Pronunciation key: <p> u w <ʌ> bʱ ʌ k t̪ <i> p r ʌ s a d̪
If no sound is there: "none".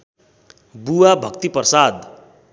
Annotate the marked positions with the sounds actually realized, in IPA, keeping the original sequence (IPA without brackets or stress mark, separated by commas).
b, a, i